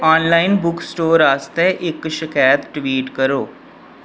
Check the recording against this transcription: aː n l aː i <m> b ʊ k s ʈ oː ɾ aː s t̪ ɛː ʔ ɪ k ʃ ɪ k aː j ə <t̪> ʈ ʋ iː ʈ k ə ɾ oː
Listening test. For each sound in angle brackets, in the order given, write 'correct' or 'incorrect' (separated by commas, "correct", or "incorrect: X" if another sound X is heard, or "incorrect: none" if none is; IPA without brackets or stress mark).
incorrect: n, correct